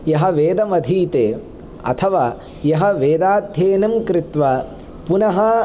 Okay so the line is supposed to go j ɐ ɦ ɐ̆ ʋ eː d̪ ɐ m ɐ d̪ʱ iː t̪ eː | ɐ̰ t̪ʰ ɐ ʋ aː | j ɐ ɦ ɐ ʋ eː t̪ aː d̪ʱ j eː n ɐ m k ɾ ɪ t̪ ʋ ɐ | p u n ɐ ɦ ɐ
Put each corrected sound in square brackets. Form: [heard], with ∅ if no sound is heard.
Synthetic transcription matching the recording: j ɐ ɦ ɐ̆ ʋ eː d̪ ɐ m ɐ d̪ʱ iː t̪ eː | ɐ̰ t̪ʰ ɐ ʋ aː | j ɐ ɦ ɐ ʋ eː [d̪] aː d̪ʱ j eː n ɐ m k ɾ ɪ t̪ ʋ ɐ | p u n ɐ ɦ ɐ